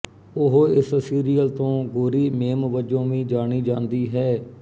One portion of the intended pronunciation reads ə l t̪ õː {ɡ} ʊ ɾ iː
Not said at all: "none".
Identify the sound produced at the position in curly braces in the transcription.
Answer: ɡ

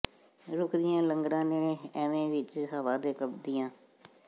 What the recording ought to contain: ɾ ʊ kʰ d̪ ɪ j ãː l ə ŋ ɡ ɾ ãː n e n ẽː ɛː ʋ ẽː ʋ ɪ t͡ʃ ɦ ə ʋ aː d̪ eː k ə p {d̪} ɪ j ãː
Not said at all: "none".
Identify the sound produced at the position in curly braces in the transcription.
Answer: d̪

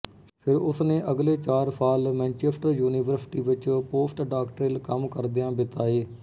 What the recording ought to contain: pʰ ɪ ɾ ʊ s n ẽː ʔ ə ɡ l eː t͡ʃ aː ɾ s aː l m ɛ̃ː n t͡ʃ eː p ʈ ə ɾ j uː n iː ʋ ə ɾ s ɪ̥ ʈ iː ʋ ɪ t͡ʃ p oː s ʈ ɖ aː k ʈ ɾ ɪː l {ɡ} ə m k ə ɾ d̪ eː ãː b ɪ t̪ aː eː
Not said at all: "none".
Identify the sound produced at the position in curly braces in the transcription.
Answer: k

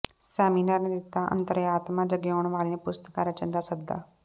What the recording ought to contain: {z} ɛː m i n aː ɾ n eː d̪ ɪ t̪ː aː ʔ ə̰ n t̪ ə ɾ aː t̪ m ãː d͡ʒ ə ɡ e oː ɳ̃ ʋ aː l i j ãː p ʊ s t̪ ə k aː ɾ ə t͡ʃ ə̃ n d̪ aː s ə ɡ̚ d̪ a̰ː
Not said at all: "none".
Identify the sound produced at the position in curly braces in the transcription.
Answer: s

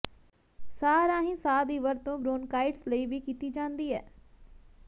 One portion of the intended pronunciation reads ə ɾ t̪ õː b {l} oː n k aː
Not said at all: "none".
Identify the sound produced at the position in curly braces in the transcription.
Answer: ɾ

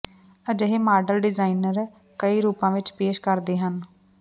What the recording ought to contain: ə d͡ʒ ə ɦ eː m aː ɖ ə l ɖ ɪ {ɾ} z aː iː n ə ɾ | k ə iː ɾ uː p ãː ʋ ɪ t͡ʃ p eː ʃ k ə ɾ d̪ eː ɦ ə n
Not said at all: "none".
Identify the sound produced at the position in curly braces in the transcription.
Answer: none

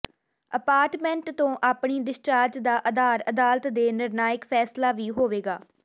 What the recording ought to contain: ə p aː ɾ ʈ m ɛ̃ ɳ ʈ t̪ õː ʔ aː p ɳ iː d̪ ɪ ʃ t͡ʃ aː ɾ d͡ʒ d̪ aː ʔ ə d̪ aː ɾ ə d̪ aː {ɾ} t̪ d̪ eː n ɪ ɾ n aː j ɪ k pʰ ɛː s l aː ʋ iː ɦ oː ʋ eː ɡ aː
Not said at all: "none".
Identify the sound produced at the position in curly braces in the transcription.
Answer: l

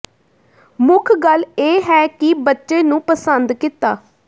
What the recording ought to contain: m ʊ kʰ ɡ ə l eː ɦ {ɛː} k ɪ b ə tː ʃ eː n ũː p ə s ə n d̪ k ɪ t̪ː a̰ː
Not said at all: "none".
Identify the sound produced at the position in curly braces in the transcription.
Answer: ɛː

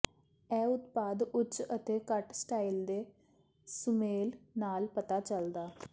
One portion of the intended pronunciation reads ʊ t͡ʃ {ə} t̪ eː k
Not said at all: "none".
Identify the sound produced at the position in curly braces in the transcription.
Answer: ə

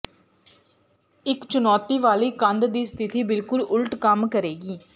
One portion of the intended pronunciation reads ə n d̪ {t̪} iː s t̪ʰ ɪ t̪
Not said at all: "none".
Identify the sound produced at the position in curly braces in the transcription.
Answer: d̪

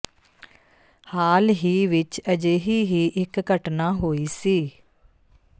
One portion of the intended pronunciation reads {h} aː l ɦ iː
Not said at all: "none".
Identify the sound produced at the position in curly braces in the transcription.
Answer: h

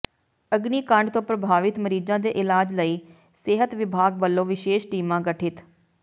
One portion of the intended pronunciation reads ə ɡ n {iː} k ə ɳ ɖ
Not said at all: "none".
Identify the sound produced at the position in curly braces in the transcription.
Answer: iː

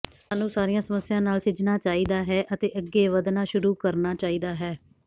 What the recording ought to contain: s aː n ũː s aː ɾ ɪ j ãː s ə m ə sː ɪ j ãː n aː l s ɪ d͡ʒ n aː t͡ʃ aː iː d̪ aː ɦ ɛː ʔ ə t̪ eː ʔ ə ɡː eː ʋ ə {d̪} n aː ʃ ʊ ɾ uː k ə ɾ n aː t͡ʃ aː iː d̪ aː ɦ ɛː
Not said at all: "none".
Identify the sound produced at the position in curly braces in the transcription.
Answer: d̪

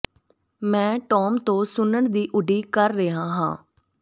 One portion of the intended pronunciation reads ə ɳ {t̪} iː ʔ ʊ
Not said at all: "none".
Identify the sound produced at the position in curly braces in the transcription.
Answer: d̪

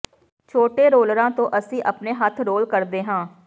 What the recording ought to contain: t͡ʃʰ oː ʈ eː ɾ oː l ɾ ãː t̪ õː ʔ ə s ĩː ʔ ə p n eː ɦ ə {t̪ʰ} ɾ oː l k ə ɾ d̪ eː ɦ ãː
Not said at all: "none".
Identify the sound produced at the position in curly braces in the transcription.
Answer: t̪ʰ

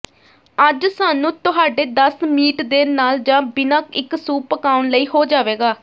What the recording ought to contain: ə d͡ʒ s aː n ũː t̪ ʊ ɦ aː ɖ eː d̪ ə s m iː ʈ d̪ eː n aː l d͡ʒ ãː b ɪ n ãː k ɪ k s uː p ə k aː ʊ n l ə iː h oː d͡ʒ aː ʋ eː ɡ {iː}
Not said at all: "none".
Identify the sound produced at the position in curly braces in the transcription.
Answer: aː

